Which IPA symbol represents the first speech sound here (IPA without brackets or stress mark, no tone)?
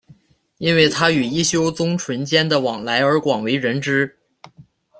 i